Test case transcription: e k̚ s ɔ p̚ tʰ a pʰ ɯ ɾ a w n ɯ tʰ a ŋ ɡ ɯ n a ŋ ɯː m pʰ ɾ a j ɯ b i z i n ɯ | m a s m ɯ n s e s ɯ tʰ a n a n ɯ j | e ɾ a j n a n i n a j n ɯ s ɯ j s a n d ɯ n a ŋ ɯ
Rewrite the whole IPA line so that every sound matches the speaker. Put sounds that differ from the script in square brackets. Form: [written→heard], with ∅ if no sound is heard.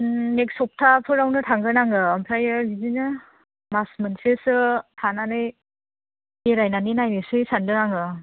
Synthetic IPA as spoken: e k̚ s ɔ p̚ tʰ a pʰ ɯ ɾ a w n ɯ tʰ a ŋ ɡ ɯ n a ŋ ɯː m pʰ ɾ a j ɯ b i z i n ɯ | m a s m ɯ n s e s ɯ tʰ a n a n ɯ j | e ɾ a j n a n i n a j n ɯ s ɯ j s a n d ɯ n a ŋ ɯ

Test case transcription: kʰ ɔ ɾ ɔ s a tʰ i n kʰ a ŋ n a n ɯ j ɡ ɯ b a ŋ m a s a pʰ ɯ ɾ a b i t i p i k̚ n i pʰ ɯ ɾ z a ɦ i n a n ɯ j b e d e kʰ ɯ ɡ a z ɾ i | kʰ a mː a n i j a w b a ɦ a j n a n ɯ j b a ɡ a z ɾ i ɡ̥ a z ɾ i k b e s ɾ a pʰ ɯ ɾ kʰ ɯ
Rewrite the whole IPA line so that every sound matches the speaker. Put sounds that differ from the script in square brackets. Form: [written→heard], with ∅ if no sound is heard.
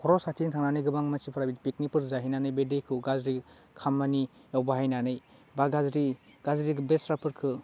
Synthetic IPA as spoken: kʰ ɔ ɾ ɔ s a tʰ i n [kʰ→tʰ] a ŋ n a n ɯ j ɡ ɯ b a ŋ m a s [a→i] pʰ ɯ ɾ a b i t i p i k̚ n i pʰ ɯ ɾ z a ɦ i n a n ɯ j b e d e kʰ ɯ ɡ a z ɾ i | kʰ a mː a n i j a w b a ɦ a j n a n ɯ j b a ɡ a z ɾ i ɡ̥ a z ɾ i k b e s ɾ a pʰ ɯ ɾ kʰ ɯ

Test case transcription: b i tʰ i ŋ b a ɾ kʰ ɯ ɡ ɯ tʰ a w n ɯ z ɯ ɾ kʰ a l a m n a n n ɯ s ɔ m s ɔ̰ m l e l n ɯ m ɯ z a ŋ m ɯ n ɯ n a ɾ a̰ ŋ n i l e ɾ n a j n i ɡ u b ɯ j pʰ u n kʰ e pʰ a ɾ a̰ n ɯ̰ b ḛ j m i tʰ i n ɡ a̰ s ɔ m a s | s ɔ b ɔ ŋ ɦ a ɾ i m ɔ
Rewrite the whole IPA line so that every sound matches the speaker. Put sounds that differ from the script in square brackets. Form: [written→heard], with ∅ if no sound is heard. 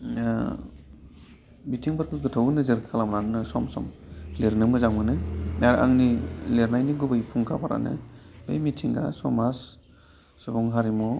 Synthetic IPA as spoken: b i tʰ i ŋ b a ɾ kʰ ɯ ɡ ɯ tʰ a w n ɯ z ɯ ɾ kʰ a l a m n a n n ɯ s ɔ m s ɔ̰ m l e [l→ɾ] n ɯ m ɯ z a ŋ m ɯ n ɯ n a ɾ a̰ ŋ n i l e ɾ n a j n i ɡ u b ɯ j pʰ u [n→ŋ] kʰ [e→a] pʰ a ɾ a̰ n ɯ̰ b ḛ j m i tʰ i [n→ŋ] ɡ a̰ s ɔ m a s | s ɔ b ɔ ŋ ɦ a ɾ i m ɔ

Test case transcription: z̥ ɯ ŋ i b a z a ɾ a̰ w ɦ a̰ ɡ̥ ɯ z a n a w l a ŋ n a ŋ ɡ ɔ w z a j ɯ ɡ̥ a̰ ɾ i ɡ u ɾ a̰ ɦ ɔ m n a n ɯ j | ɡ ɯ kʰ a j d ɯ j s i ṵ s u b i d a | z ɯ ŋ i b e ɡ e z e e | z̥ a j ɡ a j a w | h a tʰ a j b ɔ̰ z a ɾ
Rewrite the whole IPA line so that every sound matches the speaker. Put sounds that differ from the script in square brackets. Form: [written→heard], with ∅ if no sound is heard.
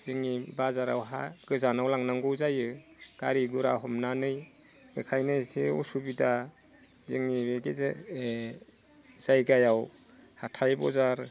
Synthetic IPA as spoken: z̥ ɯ ŋ i b a z a ɾ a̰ w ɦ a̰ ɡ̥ ɯ z a n a w l a ŋ n a ŋ ɡ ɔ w z a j ɯ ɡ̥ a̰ ɾ i ɡ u ɾ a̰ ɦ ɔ m n a n ɯ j | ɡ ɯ kʰ a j [d→n] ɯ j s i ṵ s u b i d a | z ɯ ŋ i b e ɡ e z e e | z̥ a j ɡ a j a w | h a tʰ a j b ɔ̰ z a ɾ

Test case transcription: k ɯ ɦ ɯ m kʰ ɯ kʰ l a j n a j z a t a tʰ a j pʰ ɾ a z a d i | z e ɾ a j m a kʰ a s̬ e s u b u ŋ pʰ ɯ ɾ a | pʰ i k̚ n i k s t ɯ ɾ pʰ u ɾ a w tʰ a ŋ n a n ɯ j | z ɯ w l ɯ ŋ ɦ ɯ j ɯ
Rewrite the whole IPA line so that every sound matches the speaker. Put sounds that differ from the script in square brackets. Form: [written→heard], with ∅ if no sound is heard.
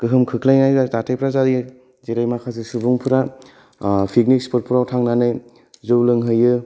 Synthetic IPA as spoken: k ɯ ɦ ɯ m kʰ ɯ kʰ l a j n a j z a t a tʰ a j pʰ ɾ a z a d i | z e ɾ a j m a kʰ a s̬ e s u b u ŋ pʰ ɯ ɾ a | pʰ i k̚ n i k s [t→p] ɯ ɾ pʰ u ɾ a w tʰ a ŋ n a n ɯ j | z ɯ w l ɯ ŋ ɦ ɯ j ɯ

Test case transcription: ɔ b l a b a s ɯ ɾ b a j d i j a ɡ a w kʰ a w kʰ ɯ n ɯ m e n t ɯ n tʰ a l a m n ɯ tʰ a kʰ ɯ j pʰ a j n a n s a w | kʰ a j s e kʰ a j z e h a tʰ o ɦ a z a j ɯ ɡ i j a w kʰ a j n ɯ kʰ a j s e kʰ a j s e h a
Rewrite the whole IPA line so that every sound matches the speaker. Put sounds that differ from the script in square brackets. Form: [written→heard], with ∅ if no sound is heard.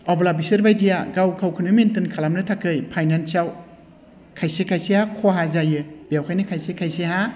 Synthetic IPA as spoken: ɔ b l a b [a→i] s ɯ ɾ b a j d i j a ɡ a w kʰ a w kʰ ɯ n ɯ m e n t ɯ n [tʰ→kʰ] a l a m n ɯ tʰ a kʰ ɯ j pʰ a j n a n s a w | kʰ a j s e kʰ a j [z→s] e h a [tʰ→kʰ] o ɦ a z a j ɯ [ɡ→b] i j a w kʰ a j n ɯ kʰ a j s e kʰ a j s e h a

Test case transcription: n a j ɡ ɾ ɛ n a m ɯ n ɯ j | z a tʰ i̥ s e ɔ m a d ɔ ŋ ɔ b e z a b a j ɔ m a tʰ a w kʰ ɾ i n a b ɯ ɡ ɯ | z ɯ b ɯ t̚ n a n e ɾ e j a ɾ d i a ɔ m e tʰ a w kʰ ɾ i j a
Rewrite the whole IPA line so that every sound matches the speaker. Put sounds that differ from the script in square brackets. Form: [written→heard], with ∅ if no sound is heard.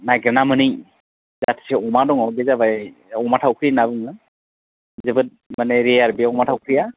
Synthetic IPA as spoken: n a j ɡ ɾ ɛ n a m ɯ n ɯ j | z a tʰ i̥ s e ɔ m a d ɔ ŋ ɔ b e z a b a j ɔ m a tʰ a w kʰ ɾ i n a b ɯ [ɡ→ŋ] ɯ | z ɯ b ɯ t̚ [n→m] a n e ɾ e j a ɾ [d→b] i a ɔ m [e→a] tʰ a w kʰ ɾ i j a

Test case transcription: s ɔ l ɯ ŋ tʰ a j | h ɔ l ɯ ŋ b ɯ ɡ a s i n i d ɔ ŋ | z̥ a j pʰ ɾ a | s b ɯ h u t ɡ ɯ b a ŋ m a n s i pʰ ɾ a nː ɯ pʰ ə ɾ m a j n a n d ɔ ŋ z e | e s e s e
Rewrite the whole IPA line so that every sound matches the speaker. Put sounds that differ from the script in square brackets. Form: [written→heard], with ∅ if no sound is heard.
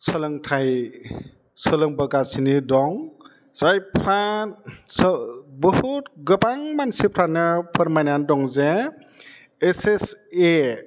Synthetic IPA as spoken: s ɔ l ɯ ŋ tʰ a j | [h→s] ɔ l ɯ ŋ b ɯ ɡ a s i n i d ɔ ŋ | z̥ a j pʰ ɾ a | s b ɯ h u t ɡ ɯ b a ŋ m a n s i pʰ ɾ a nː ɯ pʰ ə ɾ m a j n a n d ɔ ŋ z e | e s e s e

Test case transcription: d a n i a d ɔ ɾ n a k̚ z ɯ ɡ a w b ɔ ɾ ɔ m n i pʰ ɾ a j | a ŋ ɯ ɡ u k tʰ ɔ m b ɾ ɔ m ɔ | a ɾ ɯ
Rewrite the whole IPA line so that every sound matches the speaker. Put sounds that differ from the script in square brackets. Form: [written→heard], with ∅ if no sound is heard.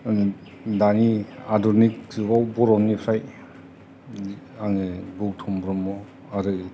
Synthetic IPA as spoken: d a n i a d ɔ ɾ n [a→i] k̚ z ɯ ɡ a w b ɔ ɾ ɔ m n i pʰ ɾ a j | a ŋ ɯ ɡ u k tʰ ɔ m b ɾ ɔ m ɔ | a ɾ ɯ

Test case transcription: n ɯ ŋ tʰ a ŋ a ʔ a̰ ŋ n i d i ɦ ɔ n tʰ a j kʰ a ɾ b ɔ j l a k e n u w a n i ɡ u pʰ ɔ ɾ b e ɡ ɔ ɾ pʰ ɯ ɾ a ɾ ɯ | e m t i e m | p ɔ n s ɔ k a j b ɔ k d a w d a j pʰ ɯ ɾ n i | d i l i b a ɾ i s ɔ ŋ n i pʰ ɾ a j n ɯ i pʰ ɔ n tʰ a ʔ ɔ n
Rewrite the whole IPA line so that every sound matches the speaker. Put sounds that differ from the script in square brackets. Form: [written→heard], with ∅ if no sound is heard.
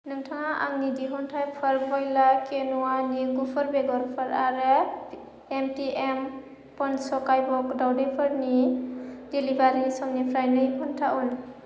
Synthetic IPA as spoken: n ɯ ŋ tʰ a ŋ a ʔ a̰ ŋ n i d i ɦ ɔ n tʰ a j [kʰ→pʰ] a ɾ b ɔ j l a k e n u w a n i ɡ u pʰ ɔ ɾ b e ɡ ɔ ɾ pʰ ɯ ɾ a ɾ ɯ | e m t i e m | p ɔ n s ɔ k a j b ɔ k d a w d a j pʰ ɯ ɾ n i | d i l i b a ɾ i s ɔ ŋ n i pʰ ɾ a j n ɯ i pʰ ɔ n tʰ a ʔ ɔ n

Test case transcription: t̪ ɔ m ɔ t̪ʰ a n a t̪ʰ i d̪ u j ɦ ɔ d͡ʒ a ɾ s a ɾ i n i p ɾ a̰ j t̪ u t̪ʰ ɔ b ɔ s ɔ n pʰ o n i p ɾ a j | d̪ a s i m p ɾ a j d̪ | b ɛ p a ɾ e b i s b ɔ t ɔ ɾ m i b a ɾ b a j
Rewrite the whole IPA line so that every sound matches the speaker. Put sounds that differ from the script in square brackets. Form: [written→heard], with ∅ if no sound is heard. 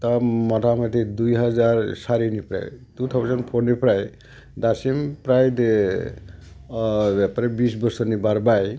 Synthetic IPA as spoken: t̪ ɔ m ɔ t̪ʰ a [n→m] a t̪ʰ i d̪ u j ɦ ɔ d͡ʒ a ɾ s a ɾ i n i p ɾ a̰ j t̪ u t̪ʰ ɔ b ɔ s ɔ n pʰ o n i p ɾ a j | d̪ a s i m p ɾ a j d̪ | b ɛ p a ɾ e b i s b ɔ [t→s] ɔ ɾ [m→n] i b a ɾ b a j

